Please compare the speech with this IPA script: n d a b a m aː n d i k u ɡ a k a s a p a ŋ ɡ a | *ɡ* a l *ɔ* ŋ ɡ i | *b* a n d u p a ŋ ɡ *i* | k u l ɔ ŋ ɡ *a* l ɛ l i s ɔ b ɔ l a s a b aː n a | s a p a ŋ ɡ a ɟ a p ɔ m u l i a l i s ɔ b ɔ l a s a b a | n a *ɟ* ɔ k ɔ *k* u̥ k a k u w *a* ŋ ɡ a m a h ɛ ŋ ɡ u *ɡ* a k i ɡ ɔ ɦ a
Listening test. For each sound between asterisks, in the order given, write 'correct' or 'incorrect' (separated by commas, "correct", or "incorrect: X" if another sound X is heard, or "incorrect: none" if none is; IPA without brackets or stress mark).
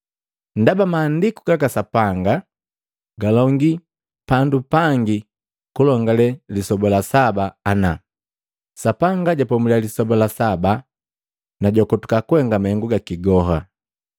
correct, correct, incorrect: p, correct, correct, correct, incorrect: t, incorrect: ɛ, correct